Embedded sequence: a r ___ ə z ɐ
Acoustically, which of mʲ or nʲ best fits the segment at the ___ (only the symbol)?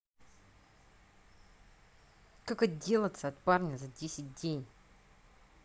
nʲ